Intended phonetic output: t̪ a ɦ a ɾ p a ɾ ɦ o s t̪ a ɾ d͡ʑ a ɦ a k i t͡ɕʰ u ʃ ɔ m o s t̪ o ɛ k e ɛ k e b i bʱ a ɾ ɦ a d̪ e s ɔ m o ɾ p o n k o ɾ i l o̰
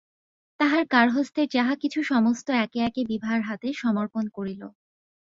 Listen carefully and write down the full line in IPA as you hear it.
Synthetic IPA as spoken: t̪ a ɦ a ɾ k a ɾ ɦ o s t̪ e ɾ d͡ʑ a ɦ a k i t͡ɕʰ u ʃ ɔ m o s t̪ o ɛ k e ɛ k e b i bʱ a ɾ ɦ a t̪ e ʃ ɔ m o ɾ p o n k o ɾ i l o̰